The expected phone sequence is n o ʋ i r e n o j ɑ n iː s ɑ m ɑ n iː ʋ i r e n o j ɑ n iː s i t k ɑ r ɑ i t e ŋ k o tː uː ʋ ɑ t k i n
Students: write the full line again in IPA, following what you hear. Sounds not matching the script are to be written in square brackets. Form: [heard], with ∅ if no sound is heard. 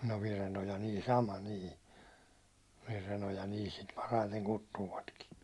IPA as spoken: n o ʋ i r e n o j ɑ n iː s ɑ m ɑ n iː ʋ i r e n o j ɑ n iː s i t [p] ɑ r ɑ i t e ŋ k [u] tː uː ʋ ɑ t k i n